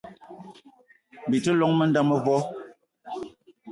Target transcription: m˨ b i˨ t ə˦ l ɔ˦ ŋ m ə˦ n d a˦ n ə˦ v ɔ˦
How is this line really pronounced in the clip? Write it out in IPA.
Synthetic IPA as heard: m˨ b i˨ t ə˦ l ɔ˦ ŋ m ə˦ n d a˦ m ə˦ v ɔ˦